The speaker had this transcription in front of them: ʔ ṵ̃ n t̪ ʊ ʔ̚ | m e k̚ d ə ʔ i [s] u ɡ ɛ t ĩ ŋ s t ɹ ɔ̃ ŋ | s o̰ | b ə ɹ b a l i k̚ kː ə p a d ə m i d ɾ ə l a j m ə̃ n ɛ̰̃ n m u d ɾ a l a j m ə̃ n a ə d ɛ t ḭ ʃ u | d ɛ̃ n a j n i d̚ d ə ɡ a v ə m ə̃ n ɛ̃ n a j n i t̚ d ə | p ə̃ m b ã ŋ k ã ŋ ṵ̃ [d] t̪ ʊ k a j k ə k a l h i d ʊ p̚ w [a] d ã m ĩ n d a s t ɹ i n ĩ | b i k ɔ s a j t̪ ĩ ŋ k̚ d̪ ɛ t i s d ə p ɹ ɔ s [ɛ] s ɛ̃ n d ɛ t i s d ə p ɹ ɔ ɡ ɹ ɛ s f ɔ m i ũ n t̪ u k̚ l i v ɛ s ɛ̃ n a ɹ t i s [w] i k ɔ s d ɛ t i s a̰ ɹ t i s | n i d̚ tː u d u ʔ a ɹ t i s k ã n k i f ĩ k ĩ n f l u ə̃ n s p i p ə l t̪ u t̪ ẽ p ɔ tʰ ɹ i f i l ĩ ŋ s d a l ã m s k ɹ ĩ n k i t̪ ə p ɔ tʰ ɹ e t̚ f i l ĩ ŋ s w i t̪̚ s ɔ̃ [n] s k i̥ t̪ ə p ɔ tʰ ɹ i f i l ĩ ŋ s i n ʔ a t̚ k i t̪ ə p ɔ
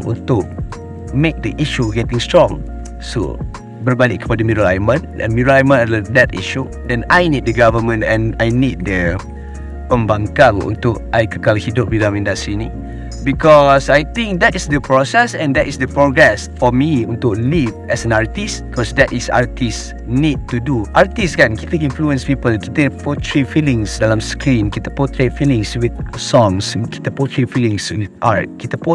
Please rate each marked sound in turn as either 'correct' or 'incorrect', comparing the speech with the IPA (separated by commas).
incorrect, incorrect, incorrect, correct, incorrect, incorrect